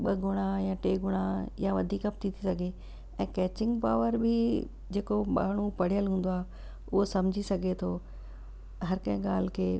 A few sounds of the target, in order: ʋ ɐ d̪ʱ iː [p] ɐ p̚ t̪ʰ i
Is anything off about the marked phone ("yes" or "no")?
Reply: yes